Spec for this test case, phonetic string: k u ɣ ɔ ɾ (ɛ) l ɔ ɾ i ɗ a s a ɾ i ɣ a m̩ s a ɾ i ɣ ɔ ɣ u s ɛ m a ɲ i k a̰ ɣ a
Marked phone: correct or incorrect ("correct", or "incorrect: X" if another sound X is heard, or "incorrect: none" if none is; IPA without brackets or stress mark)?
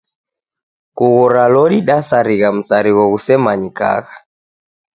incorrect: a